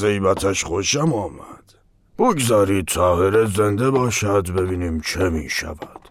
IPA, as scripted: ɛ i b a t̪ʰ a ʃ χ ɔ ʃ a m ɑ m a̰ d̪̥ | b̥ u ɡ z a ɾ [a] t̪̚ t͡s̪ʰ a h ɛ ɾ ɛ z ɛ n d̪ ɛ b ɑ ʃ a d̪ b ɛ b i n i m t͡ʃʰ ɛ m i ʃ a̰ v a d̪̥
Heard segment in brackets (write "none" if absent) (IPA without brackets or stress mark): i